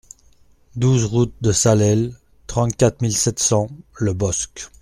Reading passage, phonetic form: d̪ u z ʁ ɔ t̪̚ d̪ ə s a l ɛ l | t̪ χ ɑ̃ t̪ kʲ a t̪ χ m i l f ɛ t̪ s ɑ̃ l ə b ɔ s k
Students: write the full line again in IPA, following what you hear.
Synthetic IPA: d̪ u z ʁ u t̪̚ d̪ ə s a l ɛ l | t̪ χ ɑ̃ t̪ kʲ a t̪ χ m i l s ɛ t̪ s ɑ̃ l ə b ɔ s k